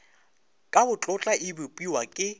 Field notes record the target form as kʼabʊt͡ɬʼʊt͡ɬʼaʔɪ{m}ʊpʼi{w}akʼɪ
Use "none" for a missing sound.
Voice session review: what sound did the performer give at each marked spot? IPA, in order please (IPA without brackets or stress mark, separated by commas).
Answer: b, w